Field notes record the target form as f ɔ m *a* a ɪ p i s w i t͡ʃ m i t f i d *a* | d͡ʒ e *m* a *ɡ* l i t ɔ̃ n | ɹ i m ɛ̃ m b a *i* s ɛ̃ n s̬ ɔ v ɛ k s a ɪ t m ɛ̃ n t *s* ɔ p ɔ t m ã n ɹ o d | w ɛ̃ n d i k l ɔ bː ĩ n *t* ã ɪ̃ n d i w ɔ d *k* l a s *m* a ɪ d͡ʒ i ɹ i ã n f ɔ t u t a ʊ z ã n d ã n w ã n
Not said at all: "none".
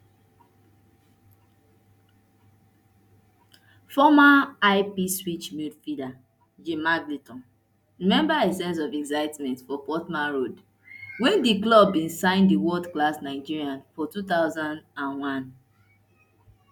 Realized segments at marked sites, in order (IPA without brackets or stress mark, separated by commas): a, a, m, ɡ, e, f, s, k, n